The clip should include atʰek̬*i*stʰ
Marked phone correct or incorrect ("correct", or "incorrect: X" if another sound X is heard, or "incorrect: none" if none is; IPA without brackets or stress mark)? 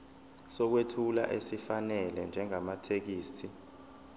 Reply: incorrect: iː